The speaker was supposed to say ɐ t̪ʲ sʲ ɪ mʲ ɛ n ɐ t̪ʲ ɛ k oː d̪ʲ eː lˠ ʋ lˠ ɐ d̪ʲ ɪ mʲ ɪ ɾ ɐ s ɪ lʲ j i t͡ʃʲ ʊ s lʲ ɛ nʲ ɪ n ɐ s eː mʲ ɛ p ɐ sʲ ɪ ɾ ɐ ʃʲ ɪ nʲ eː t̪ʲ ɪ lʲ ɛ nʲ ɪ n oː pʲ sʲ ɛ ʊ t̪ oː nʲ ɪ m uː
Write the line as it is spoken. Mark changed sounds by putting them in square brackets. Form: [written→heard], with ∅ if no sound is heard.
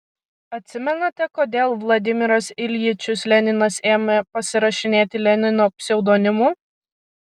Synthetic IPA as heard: ɐ t̪ʲ sʲ ɪ mʲ ɛ n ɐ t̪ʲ ɛ k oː d̪ʲ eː lˠ ʋ lˠ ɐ d̪ʲ ɪ mʲ ɪ ɾ ɐ s ɪ lʲ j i t͡ʃʲ ʊ s lʲ ɛ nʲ ɪ n ɐ s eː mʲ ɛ p ɐ sʲ ɪ ɾ ɐ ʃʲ ɪ nʲ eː t̪ʲ ɪ lʲ ɛ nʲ ɪ n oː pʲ sʲ ɛ ʊ [t̪→d̪] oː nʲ ɪ m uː